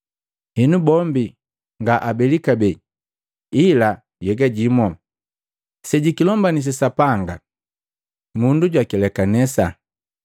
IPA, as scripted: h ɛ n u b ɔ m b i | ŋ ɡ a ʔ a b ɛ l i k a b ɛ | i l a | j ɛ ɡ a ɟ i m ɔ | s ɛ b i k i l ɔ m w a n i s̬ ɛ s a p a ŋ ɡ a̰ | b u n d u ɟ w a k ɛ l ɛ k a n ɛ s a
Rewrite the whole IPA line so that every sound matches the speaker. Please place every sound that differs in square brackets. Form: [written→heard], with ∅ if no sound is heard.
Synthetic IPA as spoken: h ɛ n u b ɔ m b i | ŋ ɡ a ʔ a b ɛ l i k a b ɛ | i l a | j ɛ ɡ a ɟ i m ɔ | s ɛ [b→ɟ] i k i l ɔ m [w→b] a n i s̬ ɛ s a p a ŋ ɡ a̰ | [b→m] u n d u ɟ w a k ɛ l ɛ k a n ɛ s a